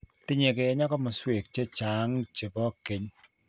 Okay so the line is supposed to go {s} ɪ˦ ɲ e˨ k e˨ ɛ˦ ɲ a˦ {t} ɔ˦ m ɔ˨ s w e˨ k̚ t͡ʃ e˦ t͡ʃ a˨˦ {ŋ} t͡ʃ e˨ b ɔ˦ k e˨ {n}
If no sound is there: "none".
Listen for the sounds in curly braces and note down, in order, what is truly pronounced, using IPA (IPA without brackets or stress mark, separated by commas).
t, k, ŋ, ɲ